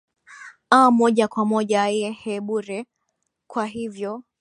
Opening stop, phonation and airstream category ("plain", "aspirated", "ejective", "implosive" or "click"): implosive